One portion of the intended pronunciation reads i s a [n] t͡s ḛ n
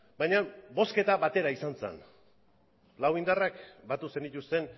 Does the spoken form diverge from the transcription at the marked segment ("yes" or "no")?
no